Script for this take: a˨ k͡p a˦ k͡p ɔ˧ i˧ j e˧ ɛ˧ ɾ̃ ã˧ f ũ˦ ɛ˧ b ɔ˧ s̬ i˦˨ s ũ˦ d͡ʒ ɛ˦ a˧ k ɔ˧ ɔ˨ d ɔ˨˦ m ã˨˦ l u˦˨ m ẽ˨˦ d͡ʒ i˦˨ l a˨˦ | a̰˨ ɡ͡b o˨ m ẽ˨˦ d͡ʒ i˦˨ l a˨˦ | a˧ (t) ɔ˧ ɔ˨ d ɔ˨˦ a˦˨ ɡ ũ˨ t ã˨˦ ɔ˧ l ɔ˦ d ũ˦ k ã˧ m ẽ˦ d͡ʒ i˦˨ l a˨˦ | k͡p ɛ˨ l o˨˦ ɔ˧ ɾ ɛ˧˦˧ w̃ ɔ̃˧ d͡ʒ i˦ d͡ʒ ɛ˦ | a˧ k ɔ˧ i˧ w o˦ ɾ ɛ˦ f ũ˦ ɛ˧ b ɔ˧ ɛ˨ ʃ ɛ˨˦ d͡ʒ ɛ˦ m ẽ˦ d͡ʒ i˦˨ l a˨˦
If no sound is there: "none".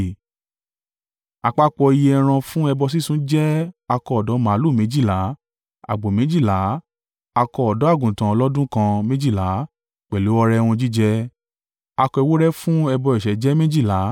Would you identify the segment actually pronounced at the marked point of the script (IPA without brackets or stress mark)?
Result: k